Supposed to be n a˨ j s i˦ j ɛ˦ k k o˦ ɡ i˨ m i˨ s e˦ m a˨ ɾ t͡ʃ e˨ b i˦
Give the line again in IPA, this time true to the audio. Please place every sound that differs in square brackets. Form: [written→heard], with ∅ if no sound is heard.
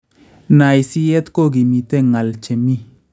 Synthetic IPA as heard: n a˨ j s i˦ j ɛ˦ [k→t] k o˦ ɡ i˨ m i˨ [s→t] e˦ [m→ŋ] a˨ [ɾ→l] t͡ʃ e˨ [b→m] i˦